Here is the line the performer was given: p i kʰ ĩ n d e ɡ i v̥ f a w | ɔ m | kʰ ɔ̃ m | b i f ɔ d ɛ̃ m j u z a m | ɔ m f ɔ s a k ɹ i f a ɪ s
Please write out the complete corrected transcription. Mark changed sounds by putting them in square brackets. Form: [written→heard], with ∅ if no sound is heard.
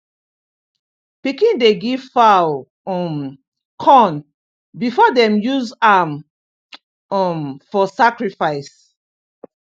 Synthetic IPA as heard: p i [kʰ→k] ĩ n d e ɡ i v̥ f a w | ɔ m | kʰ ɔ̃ [m→n] | b i f ɔ d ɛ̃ m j u z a m | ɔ m f ɔ s a k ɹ i f a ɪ s

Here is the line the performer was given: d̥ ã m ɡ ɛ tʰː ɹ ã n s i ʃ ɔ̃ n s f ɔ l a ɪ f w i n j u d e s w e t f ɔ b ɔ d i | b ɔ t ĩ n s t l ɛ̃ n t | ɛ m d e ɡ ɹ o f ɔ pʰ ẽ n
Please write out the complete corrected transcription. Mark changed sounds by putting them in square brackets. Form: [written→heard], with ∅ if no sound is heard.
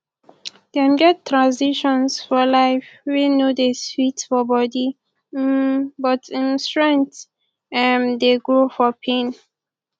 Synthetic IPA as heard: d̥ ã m ɡ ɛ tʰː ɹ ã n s i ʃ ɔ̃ n s f ɔ l a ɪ f w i n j u d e s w [e→i] t f ɔ b ɔ d i | b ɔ t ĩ n s t [l→ɹ] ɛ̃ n t | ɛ m d e ɡ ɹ o f ɔ pʰ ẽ n

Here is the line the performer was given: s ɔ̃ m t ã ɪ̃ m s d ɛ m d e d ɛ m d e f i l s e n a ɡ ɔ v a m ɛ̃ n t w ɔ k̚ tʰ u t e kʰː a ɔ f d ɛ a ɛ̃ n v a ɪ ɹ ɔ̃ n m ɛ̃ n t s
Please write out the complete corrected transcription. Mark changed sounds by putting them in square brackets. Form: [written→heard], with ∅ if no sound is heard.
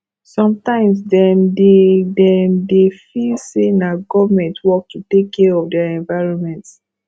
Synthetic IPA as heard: s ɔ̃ m t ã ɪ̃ m s d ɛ m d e d ɛ m d e f i l s e n a ɡ ɔ v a m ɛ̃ n t w ɔ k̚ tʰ u t e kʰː [a→ɛ] ɔ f d ɛ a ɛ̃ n v a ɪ ɹ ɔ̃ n m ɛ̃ n t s

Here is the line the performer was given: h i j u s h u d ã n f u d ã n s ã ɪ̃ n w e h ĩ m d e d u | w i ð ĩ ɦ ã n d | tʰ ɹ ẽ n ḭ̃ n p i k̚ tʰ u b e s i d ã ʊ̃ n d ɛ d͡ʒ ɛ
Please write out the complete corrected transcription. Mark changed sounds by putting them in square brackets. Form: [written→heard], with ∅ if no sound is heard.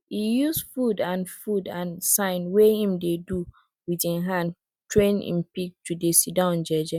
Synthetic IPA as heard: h i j u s [h→f] u d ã n f u d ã n s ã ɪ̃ n w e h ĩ m d e d u | w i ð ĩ ɦ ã n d | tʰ ɹ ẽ n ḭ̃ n p i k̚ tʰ u [b→d] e s i d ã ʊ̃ n [d→d͡ʒ] ɛ d͡ʒ ɛ

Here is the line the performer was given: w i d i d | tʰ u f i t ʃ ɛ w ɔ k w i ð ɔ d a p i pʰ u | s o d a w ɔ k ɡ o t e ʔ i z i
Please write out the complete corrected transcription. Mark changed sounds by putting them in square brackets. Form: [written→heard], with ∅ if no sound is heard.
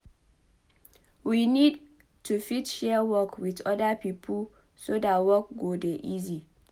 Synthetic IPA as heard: w i [d→n] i d | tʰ u f i t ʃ ɛ w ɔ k w i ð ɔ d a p i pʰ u | s o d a w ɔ k ɡ o [t→d] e ʔ i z i

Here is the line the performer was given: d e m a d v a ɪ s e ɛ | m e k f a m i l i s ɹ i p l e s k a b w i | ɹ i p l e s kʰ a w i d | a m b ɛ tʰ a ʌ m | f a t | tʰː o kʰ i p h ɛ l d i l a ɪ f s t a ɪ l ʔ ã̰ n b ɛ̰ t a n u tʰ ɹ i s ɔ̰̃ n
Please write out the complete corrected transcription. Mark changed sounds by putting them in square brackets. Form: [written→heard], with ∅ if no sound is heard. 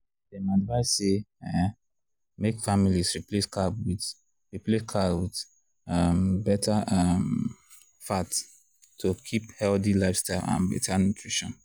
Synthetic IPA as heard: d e m a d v a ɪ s e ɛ | m e k f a m i l i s ɹ i p l e s k a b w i | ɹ i p l e s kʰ a w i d | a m b ɛ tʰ a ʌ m | f a t | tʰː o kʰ i p h ɛ l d i l a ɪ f s t a ɪ l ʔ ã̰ n b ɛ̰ t a n u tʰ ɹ i [s→ʃ] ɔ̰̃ n

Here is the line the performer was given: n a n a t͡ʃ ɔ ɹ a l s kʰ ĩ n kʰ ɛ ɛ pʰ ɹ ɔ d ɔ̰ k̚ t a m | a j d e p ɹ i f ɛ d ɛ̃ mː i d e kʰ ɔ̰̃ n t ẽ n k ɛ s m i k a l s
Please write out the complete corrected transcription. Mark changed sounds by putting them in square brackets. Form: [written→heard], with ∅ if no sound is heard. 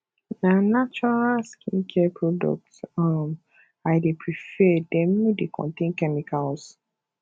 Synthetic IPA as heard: n a n a t͡ʃ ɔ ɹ a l s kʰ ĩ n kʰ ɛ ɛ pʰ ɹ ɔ d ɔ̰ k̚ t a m | a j d e p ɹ i f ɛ d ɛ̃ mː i d e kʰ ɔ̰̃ n t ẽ n k ɛ [s→∅] m i k a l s

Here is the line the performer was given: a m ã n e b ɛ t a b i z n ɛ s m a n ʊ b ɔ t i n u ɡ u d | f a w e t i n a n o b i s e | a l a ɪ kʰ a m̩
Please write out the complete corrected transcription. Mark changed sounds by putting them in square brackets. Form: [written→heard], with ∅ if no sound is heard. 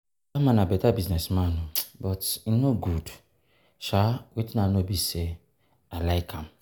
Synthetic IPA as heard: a m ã n [e→a] b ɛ t a b i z n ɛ s m a n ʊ b ɔ t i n [u→o] ɡ u d | [f→ʃ] a w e t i n a n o b i s e | a l a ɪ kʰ a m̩

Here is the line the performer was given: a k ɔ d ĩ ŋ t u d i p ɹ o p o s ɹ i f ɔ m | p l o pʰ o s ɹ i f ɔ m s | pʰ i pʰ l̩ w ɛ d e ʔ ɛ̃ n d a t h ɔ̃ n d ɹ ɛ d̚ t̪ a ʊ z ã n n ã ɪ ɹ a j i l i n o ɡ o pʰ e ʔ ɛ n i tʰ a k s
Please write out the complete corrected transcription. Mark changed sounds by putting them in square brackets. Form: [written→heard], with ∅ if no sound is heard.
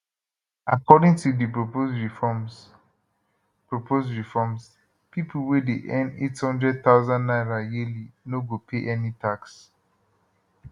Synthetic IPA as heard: a k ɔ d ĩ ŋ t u d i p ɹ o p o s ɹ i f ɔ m | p [l→ɹ] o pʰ o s ɹ i f ɔ m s | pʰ i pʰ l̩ w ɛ d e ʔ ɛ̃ n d [a→e] t h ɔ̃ n d ɹ ɛ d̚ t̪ a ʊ z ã n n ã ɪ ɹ a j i l i n o ɡ o pʰ e ʔ ɛ n i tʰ a k s

